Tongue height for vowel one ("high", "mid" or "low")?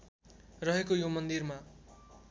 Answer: mid